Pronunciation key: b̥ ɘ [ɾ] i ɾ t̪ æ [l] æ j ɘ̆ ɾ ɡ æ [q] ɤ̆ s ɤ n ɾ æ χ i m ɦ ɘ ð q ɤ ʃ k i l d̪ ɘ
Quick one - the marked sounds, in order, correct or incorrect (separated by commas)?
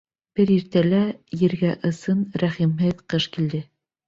correct, correct, incorrect